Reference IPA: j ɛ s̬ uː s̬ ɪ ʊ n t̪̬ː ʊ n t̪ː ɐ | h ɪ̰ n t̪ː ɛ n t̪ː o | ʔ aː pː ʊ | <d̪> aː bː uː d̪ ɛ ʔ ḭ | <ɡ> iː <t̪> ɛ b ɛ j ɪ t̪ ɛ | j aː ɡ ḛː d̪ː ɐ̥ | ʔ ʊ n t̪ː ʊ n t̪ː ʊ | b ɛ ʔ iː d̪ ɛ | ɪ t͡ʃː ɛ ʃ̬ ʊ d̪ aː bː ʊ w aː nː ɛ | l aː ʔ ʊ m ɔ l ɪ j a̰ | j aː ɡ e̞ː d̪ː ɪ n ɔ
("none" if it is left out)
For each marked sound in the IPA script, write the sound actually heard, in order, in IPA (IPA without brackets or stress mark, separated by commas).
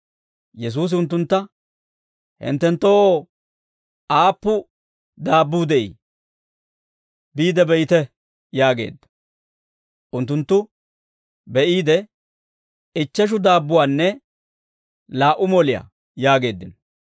d̪, b, d̪